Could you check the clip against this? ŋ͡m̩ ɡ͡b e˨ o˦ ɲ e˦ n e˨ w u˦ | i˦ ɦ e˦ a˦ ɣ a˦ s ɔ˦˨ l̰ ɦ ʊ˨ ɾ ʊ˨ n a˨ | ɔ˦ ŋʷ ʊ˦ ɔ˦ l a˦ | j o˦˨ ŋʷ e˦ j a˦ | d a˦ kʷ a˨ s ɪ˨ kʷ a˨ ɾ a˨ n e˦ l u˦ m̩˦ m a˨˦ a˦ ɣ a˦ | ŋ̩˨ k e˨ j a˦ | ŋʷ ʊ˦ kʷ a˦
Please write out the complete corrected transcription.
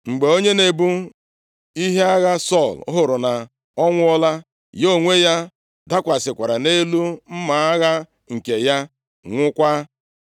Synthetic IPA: ŋ͡m̩ ɡ͡b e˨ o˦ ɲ e˦ n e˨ b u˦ | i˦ ɦ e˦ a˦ ɣ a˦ s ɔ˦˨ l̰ ɦ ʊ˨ ɾ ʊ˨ n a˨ | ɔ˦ ŋʷ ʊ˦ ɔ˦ l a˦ | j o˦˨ ŋʷ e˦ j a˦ | d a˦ kʷ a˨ s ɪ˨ kʷ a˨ ɾ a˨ n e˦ l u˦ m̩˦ m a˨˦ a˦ ɣ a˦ | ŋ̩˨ k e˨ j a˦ | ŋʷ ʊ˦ kʷ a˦